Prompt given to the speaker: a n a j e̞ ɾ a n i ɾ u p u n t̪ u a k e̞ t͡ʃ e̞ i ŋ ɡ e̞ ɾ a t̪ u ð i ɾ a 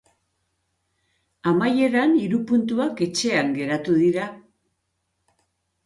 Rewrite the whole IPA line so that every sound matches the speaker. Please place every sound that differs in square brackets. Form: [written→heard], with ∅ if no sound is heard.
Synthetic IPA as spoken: a [n→m] a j e̞ ɾ a n i ɾ u p u n t̪ u a k e̞ t͡ʃ e̞ [i→a] ŋ ɡ e̞ ɾ a t̪ u ð i ɾ a